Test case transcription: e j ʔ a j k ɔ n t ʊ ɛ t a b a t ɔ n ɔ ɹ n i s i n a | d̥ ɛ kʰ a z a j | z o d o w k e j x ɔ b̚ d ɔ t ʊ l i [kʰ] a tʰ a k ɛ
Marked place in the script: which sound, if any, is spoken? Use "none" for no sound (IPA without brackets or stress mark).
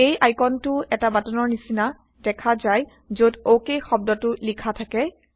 kʰ